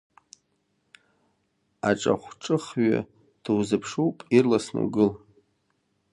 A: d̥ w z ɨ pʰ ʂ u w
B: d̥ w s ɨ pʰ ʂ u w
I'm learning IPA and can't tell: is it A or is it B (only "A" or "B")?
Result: A